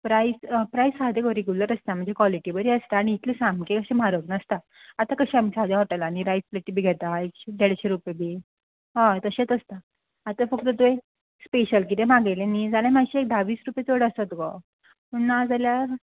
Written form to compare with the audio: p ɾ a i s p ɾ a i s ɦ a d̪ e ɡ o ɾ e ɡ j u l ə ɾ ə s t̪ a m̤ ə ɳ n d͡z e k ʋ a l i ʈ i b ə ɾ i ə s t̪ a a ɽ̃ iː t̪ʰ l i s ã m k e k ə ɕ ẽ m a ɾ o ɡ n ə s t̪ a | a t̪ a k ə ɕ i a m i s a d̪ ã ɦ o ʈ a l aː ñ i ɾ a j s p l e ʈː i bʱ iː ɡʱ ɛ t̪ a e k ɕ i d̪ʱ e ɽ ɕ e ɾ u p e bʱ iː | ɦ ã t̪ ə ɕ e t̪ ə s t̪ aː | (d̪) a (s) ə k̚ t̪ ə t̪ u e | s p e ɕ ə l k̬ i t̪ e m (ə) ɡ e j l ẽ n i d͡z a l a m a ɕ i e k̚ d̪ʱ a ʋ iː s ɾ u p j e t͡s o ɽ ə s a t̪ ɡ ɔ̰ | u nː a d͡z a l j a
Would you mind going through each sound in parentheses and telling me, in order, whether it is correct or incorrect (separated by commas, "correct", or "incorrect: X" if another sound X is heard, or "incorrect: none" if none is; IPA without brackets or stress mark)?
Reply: incorrect: t̪, incorrect: f, incorrect: a